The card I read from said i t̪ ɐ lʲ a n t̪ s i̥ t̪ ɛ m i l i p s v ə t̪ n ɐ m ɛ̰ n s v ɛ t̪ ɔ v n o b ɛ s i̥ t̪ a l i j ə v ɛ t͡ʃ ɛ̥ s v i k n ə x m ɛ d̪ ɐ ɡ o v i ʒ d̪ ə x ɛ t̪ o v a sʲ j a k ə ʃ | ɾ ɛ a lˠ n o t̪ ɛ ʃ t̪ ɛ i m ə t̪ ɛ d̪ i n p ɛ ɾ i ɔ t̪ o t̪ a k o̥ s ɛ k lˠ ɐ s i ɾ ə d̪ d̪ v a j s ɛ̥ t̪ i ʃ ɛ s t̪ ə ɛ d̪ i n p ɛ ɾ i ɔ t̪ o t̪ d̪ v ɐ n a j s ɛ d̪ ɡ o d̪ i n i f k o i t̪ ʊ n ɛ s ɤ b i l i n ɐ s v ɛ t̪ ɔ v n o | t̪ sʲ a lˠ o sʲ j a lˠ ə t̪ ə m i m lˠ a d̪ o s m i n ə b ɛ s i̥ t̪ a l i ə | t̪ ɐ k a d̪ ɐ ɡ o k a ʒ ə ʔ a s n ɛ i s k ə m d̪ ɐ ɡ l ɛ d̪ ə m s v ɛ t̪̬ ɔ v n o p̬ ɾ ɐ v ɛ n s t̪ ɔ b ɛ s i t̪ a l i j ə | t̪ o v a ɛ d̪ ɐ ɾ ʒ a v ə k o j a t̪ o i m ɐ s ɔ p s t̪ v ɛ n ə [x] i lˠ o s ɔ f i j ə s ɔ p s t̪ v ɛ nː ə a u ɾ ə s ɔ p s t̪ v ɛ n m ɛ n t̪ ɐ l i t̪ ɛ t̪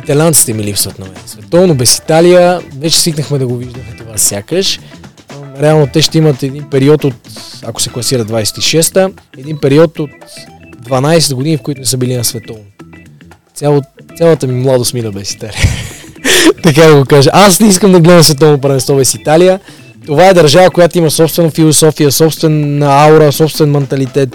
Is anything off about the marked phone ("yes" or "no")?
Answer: yes